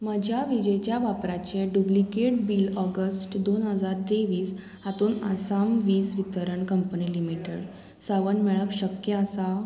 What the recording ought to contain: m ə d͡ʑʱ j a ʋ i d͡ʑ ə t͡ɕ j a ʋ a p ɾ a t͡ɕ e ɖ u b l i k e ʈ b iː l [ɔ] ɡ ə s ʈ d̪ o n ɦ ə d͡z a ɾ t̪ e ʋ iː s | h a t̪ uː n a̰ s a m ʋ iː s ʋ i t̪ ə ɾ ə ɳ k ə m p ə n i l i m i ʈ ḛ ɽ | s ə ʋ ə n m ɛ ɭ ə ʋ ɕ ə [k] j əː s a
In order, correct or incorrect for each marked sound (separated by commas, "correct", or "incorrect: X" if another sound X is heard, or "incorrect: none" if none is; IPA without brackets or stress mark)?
correct, correct